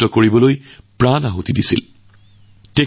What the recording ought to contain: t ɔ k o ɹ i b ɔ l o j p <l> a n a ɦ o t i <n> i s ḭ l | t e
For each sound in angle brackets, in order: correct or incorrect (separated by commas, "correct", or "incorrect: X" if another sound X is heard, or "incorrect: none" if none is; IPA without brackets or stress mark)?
incorrect: ɹ, incorrect: d